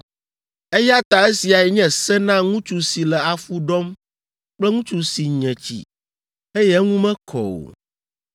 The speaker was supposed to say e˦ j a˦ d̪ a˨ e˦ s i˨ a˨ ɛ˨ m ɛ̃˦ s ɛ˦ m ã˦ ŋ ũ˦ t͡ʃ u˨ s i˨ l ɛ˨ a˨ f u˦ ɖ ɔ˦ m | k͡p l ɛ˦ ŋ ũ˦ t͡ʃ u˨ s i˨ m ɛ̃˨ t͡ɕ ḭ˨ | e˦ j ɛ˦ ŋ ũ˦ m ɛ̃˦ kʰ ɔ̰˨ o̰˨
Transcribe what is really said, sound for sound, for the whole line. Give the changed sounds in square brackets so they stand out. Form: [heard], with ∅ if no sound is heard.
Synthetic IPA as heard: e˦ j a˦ [t̪] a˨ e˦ s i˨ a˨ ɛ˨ [ɲ] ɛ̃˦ s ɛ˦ [n] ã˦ ŋ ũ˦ t͡ʃ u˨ s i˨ l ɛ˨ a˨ f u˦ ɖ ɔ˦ m | k͡p l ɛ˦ ŋ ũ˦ t͡ʃ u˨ s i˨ [ɲ] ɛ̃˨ t͡ɕ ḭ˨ | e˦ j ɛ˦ ŋ ũ˦ m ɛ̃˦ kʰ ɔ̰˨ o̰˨